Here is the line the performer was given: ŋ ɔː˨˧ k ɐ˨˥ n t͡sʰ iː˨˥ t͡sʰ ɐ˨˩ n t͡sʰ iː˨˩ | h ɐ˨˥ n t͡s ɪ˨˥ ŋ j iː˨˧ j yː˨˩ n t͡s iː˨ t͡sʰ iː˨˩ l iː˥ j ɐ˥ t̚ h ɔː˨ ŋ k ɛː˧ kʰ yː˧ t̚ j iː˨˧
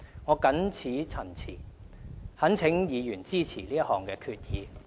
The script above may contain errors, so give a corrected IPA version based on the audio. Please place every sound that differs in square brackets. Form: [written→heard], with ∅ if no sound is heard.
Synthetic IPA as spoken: ŋ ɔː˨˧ k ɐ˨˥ n t͡sʰ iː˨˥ t͡sʰ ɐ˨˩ n t͡sʰ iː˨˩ | h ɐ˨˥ n [t͡s→t͡sʰ] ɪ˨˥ ŋ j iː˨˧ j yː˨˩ n t͡s [iː˨→iː˥] t͡sʰ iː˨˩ l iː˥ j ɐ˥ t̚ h ɔː˨ ŋ k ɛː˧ kʰ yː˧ t̚ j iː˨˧